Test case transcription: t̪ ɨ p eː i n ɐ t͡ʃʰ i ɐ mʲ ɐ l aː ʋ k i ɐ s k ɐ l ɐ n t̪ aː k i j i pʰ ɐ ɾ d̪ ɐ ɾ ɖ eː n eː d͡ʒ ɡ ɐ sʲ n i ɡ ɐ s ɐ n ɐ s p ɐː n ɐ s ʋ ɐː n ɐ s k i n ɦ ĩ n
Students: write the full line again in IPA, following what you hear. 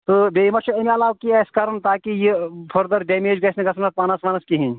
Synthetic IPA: t̪ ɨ b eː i m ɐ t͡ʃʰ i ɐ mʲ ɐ l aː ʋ k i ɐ s k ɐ ɾ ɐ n t̪ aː k i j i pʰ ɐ ɾ d̪ ɐ ɾ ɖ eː m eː d͡ʒ ɡ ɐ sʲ n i ɡ ɐ s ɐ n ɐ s p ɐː n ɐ s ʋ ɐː n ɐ s k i ɦ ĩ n